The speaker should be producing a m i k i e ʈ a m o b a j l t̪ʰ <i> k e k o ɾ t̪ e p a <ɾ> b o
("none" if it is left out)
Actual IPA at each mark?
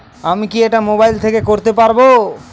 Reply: e, ɾ

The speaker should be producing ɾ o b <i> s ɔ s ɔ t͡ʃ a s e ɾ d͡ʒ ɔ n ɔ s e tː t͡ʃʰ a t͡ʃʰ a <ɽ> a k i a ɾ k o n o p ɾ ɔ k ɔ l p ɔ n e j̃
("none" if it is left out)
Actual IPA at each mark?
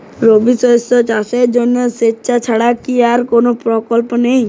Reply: i, ɽ

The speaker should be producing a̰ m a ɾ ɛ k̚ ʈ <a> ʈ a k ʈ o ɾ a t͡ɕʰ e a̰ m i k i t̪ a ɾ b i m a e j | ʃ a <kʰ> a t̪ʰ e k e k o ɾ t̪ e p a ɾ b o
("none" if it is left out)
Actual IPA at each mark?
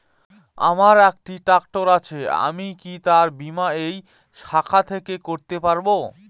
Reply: i, kʰ

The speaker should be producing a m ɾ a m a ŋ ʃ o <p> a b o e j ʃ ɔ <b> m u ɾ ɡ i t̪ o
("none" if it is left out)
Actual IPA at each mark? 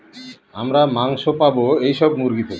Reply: p, b

